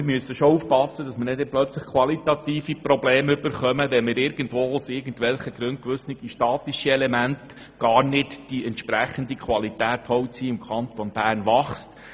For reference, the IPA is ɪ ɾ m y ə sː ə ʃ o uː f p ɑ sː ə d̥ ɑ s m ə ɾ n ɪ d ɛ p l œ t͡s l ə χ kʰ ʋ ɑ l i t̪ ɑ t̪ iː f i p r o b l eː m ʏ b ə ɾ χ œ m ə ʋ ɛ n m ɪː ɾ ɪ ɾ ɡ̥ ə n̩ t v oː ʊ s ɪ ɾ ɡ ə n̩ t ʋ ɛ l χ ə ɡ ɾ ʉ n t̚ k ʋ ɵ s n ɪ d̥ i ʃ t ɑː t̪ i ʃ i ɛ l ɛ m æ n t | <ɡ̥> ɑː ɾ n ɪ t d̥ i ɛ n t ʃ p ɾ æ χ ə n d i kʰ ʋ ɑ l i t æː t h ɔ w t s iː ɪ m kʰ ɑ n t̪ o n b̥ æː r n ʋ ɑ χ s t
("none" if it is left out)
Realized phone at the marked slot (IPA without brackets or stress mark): ɡ̥